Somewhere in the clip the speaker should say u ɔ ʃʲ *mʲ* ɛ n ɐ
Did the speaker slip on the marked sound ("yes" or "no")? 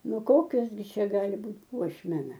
no